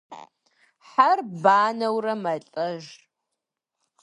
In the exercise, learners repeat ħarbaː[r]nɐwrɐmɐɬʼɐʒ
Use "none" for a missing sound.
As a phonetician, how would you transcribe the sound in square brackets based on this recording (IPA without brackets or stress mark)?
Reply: none